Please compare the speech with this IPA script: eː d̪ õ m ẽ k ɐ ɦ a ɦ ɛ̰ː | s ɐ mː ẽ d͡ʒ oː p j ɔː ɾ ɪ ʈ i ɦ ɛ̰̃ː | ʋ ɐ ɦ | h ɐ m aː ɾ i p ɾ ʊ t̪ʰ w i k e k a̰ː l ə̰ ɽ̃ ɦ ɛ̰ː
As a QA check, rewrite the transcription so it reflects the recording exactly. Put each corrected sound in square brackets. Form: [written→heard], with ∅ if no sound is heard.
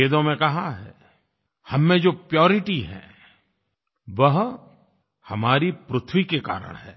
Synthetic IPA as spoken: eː d̪ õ m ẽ k ɐ ɦ a ɦ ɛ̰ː | [s→h] ɐ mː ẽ d͡ʒ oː p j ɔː ɾ ɪ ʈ i ɦ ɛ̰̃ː | ʋ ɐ ɦ | h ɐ m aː ɾ i p ɾ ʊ t̪ʰ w i k e k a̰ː [l→ɾ] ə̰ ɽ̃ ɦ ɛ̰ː

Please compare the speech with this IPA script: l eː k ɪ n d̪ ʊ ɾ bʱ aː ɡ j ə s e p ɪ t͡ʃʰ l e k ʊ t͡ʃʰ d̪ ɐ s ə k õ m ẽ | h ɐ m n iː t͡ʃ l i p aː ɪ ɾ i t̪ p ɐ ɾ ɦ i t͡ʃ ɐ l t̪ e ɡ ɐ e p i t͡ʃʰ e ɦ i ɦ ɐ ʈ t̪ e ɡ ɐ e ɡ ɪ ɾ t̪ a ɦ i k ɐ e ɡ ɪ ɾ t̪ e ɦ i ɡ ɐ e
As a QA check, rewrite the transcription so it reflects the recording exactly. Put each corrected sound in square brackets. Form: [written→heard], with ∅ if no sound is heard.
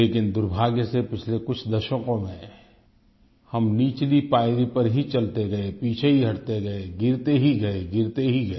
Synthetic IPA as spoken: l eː k ɪ n d̪ ʊ ɾ bʱ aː ɡ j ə s e p ɪ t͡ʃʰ l e k ʊ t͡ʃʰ d̪ ɐ [s→ʃ] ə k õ m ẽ | h ɐ m n iː t͡ʃ l i p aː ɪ ɾ i [t̪→∅] p ɐ ɾ ɦ i t͡ʃ ɐ l t̪ e ɡ ɐ e p [i→iː] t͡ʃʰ e ɦ i ɦ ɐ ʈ t̪ e ɡ ɐ e ɡ ɪ ɾ t̪ [a→e] ɦ i [k→ɡ] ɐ e ɡ ɪ ɾ t̪ e ɦ i ɡ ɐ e

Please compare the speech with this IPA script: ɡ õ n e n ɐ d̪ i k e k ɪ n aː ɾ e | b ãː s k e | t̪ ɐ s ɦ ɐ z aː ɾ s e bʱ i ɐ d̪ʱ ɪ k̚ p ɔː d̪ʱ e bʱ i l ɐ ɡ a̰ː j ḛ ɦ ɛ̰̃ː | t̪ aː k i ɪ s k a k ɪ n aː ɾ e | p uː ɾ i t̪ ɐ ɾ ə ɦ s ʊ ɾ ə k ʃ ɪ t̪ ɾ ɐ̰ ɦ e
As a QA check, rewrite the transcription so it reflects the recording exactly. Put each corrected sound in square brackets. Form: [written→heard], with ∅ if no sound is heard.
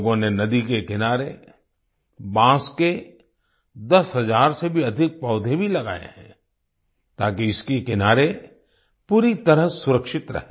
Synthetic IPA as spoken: ɡ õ n e n ɐ d̪ i k e k ɪ n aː ɾ e | b ãː s k e | [t̪→d̪] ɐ s ɦ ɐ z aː ɾ s e bʱ i ɐ d̪ʱ ɪ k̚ p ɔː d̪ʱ e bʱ i l ɐ ɡ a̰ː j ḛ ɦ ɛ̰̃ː | t̪ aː k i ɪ s k [a→e] k ɪ n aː ɾ e | p uː ɾ i t̪ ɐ ɾ ə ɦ s ʊ ɾ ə k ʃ ɪ t̪ ɾ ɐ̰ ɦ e

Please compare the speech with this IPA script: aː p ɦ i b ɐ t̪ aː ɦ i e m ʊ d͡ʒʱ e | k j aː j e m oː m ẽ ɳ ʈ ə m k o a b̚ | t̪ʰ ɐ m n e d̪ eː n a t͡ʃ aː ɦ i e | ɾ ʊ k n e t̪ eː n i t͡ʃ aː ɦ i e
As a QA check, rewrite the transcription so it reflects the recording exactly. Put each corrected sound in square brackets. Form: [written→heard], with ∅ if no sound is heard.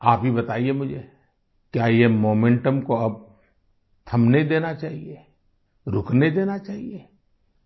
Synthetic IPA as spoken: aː p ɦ i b ɐ t̪ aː [ɦ→∅] i e m ʊ d͡ʒʱ e | k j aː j e m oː m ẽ ɳ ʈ ə m k o [a→ɐ] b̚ | t̪ʰ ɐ m n e d̪ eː n a t͡ʃ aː ɦ i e | ɾ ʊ k n e [t̪→d̪] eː n [i→a] t͡ʃ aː ɦ i e

